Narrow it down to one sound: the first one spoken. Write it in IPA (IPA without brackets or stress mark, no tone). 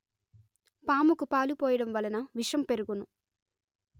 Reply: p